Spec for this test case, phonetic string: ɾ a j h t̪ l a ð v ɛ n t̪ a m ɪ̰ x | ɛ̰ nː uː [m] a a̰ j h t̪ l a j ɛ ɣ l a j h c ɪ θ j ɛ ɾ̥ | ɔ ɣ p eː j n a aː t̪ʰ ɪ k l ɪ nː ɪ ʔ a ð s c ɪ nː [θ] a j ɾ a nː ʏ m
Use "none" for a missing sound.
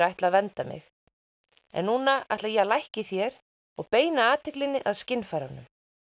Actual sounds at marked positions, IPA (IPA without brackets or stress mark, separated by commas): n, f